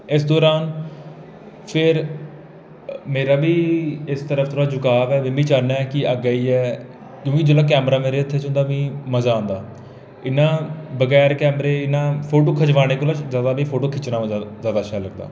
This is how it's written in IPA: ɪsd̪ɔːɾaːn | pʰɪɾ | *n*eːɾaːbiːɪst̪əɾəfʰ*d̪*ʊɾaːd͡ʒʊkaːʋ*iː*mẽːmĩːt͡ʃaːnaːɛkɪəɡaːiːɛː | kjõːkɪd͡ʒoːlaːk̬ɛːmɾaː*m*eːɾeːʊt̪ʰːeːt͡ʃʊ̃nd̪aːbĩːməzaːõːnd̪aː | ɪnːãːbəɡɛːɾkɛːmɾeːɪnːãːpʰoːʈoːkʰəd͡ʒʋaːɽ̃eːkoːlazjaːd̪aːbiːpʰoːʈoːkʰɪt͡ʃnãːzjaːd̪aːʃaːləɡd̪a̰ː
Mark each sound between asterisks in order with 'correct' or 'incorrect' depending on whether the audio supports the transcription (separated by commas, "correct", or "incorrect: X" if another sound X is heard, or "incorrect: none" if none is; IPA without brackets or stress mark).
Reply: incorrect: m, incorrect: t̪, incorrect: ɛː, correct